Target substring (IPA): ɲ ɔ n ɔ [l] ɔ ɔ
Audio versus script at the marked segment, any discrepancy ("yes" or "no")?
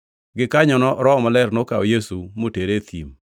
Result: yes